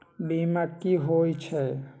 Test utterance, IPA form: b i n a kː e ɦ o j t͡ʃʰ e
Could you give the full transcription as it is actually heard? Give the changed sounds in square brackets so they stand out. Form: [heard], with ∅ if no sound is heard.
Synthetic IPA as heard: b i [m] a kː [i] ɦ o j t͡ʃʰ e